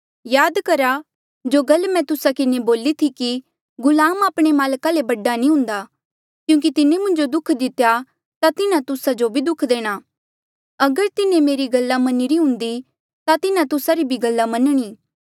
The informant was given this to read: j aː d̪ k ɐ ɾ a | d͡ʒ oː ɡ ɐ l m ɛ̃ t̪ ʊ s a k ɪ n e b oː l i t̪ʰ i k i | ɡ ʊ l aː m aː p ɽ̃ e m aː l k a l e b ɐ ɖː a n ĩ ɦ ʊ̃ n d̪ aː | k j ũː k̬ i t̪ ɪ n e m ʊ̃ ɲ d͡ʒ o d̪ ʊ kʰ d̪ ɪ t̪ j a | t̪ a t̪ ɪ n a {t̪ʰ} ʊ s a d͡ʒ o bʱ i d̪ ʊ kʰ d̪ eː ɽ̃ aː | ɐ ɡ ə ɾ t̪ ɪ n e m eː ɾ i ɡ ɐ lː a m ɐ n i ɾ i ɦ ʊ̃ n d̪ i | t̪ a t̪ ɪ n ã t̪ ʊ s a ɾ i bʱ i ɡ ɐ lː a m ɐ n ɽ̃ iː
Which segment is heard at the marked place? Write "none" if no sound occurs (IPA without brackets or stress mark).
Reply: t̪